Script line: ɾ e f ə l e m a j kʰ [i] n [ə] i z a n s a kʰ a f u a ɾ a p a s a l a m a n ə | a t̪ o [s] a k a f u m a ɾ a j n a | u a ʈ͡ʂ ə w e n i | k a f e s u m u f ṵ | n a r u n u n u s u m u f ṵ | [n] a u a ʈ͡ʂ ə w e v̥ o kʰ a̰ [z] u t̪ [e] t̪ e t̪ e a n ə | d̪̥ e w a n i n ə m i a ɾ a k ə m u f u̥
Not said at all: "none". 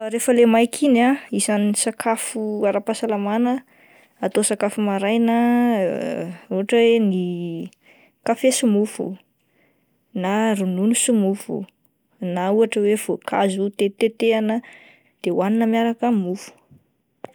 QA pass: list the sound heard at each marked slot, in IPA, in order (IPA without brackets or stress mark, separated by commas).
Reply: i, a, s, n, z, e